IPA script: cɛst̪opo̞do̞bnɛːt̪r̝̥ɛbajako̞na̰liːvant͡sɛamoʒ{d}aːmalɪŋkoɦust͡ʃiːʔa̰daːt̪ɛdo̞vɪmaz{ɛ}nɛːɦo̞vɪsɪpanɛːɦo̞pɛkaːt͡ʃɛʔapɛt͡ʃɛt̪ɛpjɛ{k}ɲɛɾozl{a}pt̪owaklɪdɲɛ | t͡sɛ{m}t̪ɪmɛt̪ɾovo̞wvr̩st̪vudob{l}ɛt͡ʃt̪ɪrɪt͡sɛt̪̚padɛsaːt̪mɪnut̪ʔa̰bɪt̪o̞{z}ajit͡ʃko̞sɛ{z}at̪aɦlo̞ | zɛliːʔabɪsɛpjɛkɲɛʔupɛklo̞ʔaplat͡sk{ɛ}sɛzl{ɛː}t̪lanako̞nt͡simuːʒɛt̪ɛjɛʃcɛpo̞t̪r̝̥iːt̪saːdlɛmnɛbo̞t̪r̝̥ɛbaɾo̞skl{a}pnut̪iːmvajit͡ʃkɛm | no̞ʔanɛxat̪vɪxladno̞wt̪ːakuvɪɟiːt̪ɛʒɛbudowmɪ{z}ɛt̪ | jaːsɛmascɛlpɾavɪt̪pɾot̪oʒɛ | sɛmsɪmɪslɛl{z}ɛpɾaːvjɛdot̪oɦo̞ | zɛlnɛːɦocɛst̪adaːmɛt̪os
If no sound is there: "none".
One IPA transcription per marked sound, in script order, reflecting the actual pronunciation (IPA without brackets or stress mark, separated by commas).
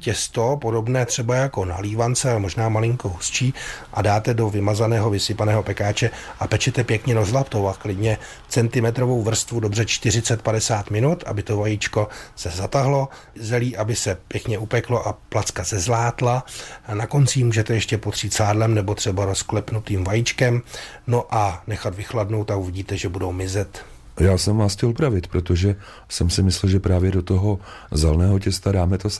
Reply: n, a, k, a, n, r, v, z, a, aː, ɛ, z, ʒ